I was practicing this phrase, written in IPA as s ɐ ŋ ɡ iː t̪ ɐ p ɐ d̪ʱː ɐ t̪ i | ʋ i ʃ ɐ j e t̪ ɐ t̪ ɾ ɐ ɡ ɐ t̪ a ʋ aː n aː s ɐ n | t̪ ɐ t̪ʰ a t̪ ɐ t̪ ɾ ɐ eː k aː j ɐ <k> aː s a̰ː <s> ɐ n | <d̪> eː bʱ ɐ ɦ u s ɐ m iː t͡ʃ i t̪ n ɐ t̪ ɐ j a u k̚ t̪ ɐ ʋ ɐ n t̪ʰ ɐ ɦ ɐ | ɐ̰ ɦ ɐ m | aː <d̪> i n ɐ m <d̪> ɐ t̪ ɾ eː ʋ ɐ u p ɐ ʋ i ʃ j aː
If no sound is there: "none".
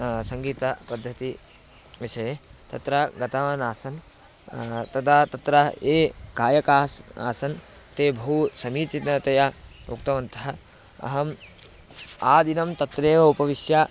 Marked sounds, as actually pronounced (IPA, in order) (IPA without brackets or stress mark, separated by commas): k, s, t̪, d̪, t̪